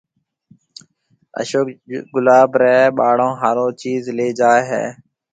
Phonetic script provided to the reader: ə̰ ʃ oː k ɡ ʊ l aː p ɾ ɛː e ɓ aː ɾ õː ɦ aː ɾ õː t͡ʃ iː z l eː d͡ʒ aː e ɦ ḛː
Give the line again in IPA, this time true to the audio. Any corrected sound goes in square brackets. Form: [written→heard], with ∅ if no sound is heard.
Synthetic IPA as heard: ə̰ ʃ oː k ɡ ʊ l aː [p→b] ɾ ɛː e ɓ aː [ɾ→ɽ] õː ɦ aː ɾ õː t͡ʃ iː z l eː d͡ʒ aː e ɦ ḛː